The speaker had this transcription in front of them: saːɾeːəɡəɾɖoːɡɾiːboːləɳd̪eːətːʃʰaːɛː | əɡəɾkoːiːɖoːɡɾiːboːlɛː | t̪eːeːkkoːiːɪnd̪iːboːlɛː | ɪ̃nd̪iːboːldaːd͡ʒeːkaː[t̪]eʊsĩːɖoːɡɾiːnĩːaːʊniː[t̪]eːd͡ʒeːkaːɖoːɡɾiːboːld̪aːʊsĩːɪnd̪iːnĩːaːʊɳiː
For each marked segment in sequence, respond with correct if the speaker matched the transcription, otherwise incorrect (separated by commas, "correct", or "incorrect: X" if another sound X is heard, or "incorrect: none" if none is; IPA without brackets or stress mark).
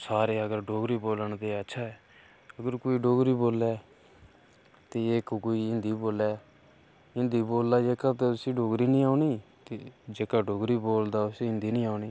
correct, correct